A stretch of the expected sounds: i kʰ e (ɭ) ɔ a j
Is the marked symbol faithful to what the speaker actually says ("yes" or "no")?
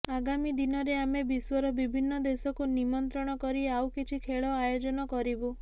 yes